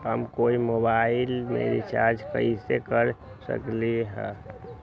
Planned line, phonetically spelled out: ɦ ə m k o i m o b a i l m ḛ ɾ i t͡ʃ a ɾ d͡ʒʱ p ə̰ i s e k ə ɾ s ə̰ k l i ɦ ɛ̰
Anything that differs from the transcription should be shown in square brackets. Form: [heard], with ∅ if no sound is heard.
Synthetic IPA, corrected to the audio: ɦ ə m k o i m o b a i l m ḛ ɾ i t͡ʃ a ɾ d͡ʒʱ [k] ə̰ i s e k ə ɾ s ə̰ k l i ɦ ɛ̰